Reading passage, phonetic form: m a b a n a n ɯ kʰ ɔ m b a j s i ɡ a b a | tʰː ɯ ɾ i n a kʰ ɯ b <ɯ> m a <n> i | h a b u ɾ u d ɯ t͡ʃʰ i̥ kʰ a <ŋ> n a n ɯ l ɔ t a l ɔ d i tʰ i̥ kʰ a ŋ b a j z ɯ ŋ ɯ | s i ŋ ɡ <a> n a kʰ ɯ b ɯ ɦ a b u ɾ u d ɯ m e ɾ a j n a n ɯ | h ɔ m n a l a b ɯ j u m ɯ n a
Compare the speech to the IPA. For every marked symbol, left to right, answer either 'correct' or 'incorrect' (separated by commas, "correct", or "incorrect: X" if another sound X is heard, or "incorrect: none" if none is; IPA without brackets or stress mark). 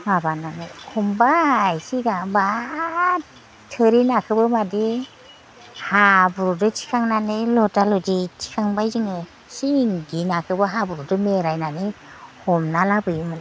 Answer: correct, incorrect: d, correct, incorrect: i